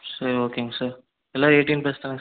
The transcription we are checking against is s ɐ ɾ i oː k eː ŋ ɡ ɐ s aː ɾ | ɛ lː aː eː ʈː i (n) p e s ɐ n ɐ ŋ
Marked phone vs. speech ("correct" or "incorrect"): correct